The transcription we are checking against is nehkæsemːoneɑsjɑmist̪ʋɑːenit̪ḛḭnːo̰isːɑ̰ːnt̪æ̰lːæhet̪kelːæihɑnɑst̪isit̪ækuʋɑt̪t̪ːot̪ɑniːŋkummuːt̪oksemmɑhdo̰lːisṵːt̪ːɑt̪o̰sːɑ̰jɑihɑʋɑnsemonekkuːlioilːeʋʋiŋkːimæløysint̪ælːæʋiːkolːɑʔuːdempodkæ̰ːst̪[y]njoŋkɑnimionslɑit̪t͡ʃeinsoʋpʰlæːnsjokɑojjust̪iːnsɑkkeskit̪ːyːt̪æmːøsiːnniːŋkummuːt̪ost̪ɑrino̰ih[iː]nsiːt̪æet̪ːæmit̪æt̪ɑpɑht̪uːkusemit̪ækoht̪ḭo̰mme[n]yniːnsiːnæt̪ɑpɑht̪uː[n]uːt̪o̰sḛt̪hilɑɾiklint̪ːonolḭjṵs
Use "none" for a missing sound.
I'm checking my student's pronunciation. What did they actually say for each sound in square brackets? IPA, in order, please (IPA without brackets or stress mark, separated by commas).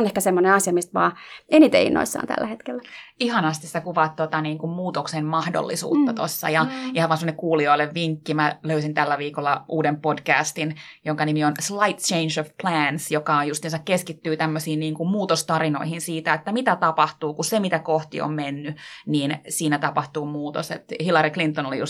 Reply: i, i, nː, m